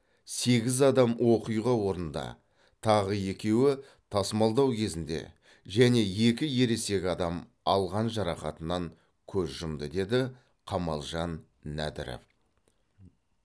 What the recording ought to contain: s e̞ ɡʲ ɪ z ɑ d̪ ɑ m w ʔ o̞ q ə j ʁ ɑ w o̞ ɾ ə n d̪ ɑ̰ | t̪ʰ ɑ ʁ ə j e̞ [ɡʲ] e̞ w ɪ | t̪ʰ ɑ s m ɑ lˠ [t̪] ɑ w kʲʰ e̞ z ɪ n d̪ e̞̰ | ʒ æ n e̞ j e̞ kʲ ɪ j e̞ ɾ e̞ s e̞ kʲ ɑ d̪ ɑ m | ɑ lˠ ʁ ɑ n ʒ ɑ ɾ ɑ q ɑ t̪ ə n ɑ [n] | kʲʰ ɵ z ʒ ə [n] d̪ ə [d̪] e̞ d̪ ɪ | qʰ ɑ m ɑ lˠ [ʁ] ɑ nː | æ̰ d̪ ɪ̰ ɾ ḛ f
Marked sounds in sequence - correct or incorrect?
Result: incorrect: kʲ, incorrect: d̪, incorrect: ŋ, incorrect: m, correct, incorrect: ʒ

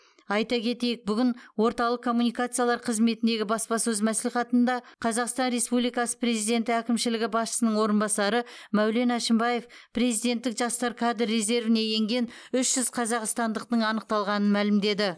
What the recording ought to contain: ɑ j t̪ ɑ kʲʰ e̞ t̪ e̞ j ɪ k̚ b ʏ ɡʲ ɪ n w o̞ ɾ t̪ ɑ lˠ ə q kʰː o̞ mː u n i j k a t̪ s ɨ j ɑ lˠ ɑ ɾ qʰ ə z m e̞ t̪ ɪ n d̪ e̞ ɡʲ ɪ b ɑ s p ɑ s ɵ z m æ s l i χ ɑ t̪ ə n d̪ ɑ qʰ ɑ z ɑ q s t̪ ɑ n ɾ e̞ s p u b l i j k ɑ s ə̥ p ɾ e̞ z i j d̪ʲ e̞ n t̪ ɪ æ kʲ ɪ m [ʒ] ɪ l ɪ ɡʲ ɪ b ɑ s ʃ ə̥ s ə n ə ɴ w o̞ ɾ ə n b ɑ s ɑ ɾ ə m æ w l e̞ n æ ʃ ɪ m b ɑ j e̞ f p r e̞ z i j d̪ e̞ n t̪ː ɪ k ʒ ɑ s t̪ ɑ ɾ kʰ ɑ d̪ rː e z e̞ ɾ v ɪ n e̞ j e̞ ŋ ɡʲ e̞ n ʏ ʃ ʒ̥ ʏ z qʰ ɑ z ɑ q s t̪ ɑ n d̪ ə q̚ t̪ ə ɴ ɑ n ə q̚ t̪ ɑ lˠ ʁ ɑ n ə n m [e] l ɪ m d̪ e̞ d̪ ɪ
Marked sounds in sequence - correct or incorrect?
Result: incorrect: ʃ, incorrect: æ

